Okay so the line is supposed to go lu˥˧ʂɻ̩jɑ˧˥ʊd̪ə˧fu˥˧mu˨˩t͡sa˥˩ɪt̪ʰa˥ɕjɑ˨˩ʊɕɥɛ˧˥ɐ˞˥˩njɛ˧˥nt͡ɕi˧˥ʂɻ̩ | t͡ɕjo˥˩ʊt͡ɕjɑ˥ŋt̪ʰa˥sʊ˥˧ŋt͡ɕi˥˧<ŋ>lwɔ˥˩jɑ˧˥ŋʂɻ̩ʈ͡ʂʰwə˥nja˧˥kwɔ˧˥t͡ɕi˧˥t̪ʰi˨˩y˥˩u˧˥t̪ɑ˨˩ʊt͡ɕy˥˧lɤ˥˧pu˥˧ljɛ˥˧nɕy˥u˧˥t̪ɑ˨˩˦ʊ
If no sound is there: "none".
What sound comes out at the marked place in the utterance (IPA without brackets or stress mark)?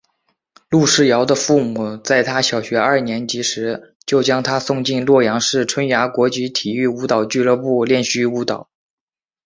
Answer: n